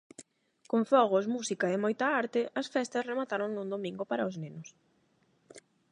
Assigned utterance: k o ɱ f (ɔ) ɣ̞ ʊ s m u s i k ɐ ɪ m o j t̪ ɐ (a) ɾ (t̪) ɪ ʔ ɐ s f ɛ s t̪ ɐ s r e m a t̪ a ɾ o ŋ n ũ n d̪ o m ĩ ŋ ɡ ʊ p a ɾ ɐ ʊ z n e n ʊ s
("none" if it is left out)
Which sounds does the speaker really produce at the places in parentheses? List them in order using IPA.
ɔ, a, t̪

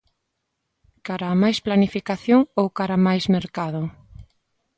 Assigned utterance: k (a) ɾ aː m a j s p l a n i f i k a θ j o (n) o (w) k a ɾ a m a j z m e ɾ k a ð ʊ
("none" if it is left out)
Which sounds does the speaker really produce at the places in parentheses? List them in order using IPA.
a, ŋ, w

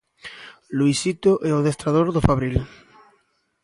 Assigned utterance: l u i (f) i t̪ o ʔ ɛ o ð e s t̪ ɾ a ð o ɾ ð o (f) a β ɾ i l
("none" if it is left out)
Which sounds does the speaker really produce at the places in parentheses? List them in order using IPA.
s, f

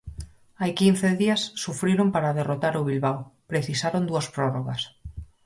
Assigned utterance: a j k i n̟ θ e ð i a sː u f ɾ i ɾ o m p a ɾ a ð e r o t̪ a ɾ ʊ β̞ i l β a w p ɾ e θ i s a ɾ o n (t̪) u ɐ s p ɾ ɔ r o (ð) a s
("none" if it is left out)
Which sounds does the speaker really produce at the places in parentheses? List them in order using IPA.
d̪, ɣ

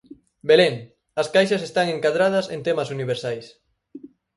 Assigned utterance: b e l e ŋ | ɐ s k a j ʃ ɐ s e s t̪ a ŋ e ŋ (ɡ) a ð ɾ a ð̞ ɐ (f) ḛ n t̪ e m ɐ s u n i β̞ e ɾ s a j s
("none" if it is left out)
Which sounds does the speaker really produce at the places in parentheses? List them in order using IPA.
k, s

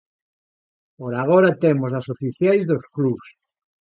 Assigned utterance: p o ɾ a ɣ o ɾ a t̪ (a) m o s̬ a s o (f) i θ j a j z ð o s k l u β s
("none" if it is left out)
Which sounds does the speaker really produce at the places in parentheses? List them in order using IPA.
e, f

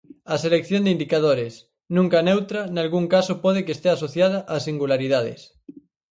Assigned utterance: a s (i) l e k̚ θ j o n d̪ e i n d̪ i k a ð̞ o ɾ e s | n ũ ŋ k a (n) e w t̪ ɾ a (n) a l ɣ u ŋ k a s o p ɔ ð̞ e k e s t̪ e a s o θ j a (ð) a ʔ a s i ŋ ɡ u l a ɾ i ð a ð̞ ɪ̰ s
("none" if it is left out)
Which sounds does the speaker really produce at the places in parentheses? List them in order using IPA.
e, n, n, ð

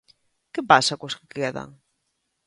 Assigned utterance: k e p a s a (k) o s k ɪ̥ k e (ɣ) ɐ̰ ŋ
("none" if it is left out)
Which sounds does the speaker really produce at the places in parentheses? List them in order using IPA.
k, ð

